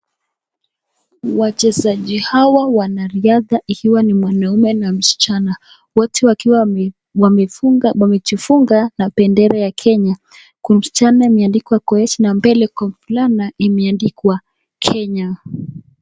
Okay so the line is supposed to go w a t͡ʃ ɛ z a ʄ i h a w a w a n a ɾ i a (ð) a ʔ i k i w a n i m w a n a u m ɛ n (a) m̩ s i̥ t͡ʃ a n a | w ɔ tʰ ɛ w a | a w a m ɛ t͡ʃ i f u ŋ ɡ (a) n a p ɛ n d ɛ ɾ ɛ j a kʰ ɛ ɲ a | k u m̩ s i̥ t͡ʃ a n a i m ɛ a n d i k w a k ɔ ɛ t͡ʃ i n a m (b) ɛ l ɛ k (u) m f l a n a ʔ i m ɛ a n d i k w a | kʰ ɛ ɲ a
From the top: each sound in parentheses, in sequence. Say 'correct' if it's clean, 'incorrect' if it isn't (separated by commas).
correct, correct, correct, correct, incorrect